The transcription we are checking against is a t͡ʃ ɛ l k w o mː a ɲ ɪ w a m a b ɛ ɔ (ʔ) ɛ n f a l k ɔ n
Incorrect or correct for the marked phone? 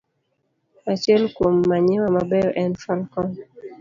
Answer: correct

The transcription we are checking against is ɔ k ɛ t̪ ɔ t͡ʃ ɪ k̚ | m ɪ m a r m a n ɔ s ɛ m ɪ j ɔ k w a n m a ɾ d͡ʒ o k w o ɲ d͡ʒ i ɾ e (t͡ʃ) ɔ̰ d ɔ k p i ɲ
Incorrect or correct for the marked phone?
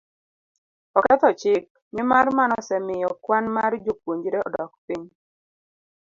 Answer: incorrect: none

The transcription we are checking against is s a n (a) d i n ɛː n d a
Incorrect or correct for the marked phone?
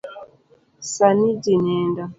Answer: incorrect: i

